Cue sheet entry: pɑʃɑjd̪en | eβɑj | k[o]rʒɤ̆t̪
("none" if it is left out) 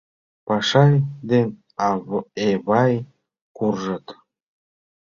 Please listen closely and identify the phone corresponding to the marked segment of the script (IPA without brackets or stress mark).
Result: u